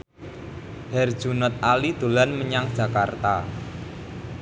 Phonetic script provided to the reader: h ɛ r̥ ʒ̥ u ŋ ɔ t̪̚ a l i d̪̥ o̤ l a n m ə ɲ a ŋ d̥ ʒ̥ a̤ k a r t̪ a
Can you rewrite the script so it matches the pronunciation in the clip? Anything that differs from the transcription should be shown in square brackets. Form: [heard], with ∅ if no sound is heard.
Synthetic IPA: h ɛ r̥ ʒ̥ u [n] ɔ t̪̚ a l i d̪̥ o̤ l a n m ə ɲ a ŋ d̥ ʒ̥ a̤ k a r t̪ a